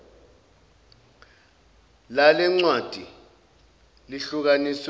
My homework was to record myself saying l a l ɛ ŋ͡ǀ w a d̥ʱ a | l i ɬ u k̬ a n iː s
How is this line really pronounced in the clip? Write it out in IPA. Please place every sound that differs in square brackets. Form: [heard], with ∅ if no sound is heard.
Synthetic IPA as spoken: l a l ɛ ŋ͡ǀ w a d̥ʱ [i] | l i ɬ u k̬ a n [i] s